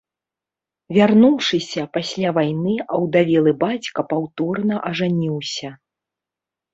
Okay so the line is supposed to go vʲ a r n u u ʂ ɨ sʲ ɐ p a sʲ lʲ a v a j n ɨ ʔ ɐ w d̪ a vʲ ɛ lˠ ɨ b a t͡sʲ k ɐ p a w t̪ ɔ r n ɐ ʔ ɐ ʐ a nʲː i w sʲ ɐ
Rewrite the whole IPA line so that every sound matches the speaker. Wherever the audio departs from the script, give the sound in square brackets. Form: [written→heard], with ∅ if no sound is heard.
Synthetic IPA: vʲ a r n u [u→w] ʂ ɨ sʲ ɐ p a sʲ lʲ a v a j n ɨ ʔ ɐ w d̪ a vʲ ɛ lˠ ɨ b a t͡sʲ k ɐ p a w t̪ ɔ r n ɐ ʔ ɐ ʐ a [nʲː→nʲ] i w sʲ ɐ